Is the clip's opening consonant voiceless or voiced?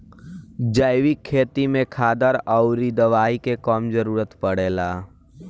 voiced